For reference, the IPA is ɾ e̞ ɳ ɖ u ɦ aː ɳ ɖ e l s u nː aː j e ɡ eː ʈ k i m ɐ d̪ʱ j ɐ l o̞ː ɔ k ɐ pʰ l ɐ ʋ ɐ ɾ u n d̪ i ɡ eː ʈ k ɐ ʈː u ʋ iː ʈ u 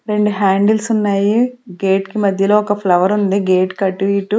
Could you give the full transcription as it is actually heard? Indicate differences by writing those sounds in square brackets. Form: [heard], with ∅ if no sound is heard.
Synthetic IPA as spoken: ɾ e̞ ɳ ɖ u ɦ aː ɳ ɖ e l s u nː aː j [i] ɡ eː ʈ k i m ɐ d̪ʱ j ɐ l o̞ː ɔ k ɐ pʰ l ɐ ʋ ɐ ɾ u n d̪ i ɡ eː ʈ k ɐ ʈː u ʋ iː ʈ u